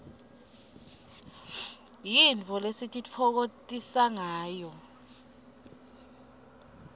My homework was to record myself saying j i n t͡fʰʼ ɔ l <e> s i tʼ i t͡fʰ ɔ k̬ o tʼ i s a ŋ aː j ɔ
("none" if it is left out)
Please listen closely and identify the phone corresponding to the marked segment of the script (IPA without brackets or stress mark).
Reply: e